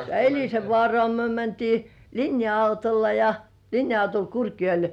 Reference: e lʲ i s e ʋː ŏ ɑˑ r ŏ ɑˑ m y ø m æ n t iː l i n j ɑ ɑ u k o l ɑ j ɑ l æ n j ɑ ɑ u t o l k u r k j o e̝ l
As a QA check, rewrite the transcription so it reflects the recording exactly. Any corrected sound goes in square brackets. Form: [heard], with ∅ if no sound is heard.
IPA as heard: e lʲ i s e ʋː ŏ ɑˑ r ŏ ɑˑ m y ø m æ n t iː l i n j ɑ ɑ u [t] o [lː] ɑ j ɑ l [i] n j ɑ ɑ u t o l k u r k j o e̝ l